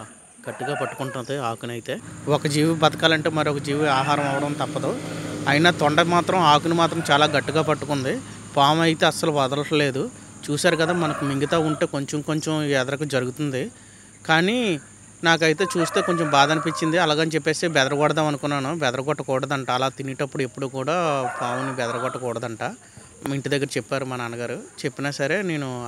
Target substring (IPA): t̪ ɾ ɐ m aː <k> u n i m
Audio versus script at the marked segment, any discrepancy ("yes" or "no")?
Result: no